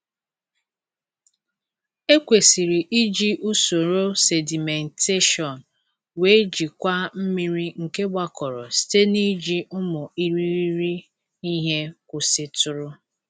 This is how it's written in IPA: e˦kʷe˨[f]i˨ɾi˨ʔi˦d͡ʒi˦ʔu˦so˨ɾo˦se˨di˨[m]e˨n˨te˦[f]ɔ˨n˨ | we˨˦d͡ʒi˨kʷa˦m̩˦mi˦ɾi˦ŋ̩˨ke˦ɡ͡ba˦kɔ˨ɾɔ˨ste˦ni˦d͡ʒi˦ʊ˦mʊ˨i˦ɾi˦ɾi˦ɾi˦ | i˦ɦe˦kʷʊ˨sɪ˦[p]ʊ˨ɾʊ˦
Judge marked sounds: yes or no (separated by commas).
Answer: no, yes, no, no